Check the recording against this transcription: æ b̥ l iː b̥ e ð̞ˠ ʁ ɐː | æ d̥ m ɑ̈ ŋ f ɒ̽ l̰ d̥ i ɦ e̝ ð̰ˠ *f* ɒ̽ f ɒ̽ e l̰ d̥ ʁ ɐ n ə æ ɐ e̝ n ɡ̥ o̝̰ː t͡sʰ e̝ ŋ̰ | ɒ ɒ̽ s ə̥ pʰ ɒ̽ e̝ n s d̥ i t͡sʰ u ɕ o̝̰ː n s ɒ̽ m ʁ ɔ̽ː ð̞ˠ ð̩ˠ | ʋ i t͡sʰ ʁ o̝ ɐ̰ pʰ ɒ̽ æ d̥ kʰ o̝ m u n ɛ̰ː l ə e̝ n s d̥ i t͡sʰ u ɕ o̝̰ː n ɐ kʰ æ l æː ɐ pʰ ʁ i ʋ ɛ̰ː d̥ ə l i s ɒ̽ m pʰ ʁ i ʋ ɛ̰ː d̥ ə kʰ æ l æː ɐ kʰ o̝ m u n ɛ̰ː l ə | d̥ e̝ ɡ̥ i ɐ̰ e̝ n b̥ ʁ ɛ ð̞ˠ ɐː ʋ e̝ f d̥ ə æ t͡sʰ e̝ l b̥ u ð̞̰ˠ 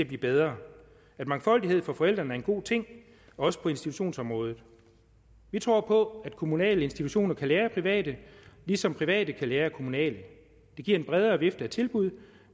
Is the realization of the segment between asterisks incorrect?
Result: no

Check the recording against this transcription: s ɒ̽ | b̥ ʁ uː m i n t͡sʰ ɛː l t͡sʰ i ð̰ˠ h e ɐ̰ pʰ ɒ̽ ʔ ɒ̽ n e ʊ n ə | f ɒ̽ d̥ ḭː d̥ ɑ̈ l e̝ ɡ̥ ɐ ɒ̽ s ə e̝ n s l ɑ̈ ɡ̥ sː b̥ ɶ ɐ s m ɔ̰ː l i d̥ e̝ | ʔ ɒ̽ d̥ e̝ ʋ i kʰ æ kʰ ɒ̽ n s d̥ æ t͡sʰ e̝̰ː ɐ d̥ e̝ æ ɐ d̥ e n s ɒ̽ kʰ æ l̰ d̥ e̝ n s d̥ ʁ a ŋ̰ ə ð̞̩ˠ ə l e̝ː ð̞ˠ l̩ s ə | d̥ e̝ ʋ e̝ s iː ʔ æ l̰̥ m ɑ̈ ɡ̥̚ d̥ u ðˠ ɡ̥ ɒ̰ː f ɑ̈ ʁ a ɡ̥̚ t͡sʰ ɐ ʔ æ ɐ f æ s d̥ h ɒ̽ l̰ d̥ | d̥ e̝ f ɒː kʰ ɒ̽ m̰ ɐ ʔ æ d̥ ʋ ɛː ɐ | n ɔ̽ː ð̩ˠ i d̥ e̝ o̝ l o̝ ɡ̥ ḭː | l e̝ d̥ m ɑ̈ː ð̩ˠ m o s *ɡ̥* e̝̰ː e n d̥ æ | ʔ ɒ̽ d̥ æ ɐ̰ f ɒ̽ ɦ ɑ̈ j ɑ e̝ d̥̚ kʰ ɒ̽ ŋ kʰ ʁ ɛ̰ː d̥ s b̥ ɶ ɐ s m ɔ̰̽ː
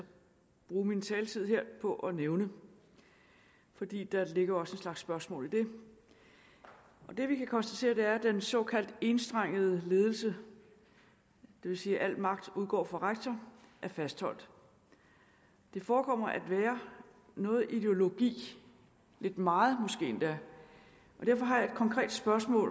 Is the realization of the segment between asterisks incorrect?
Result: no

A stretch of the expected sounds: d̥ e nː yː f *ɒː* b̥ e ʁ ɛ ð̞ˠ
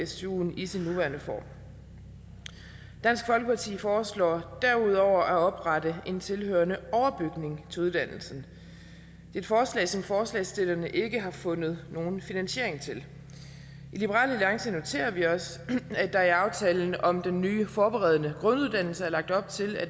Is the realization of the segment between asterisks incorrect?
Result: no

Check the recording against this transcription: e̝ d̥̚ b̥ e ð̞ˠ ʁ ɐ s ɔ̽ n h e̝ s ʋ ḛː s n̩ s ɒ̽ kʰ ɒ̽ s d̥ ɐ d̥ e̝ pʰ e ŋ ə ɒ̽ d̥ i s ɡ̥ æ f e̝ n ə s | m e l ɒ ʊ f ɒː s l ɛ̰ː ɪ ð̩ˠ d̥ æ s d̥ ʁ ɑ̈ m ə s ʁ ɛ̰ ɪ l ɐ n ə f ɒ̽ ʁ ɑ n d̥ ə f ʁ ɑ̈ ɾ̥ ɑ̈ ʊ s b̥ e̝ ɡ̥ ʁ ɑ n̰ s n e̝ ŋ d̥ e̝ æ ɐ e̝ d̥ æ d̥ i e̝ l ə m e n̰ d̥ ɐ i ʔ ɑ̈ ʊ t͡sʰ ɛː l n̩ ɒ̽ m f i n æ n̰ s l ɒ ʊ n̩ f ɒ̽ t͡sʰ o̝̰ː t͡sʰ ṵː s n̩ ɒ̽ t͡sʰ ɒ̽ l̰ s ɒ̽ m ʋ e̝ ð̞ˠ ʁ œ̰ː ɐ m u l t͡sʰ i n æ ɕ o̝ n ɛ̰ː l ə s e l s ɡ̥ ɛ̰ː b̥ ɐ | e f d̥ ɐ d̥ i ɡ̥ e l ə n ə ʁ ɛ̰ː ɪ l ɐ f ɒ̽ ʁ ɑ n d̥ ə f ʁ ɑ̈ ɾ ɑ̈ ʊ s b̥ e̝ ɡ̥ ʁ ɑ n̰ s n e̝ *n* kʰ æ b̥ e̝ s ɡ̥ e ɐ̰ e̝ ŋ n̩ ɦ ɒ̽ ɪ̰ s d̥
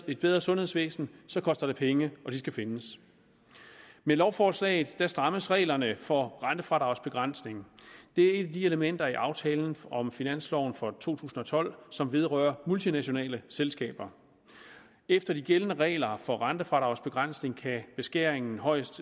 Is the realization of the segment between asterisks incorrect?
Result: yes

